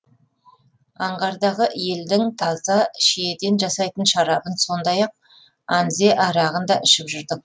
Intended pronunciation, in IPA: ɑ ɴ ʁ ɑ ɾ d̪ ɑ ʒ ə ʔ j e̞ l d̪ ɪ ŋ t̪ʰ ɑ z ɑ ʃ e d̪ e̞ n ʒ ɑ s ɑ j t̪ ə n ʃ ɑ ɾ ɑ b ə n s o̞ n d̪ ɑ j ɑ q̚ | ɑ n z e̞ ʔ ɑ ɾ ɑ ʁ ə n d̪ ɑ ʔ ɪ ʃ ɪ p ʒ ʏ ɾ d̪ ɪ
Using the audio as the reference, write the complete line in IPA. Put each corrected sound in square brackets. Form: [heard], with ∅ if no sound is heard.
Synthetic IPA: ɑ ɴ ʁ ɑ ɾ d̪ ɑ [ʁ] ə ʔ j e̞ l d̪ ɪ ŋ t̪ʰ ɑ z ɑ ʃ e d̪ e̞ n ʒ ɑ s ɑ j t̪ ə n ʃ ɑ ɾ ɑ b ə n s o̞ n d̪ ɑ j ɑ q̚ | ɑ n z e̞ ʔ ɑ ɾ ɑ ʁ ə n d̪ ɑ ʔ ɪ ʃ ɪ p ʒ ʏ ɾ d̪ ɪ

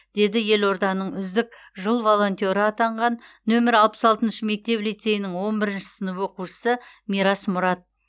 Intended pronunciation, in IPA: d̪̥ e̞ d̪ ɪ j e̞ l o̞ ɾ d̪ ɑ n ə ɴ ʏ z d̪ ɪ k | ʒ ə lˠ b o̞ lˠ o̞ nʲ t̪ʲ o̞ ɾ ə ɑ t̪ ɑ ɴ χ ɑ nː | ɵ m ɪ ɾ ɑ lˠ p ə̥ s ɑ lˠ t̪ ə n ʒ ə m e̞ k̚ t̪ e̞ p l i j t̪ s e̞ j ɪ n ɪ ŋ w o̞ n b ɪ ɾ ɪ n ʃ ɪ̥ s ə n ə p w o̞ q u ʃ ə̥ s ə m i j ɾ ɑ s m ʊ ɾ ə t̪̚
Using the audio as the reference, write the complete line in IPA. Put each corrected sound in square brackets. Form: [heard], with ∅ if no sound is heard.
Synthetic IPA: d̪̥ e̞ d̪ ɪ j e̞ l o̞ ɾ d̪ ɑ n ə ɴ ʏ z d̪ ɪ k | ʒ ə lˠ [v] o̞ lˠ o̞ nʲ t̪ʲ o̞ ɾ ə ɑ t̪ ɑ ɴ [ʁ] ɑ nː | ɵ m ɪ ɾ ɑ lˠ p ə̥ s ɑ lˠ t̪ ə n [ʃ] ə m e̞ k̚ t̪ e̞ p l i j t̪ s e̞ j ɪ n ɪ ŋ w o̞ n b ɪ ɾ ɪ n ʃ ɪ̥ s ə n ə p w o̞ q u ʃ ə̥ s ə m i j ɾ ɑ s m ʊ ɾ [ɑ] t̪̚

